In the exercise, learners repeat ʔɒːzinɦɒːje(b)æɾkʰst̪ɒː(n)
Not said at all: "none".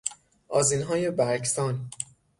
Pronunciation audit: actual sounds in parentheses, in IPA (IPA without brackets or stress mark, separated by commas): b, n